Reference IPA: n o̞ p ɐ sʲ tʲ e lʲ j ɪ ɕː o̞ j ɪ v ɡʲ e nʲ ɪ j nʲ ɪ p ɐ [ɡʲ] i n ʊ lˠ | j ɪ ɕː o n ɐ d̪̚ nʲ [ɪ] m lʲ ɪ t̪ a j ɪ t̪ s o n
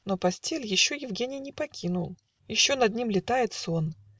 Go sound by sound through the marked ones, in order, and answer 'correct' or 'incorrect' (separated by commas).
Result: incorrect, incorrect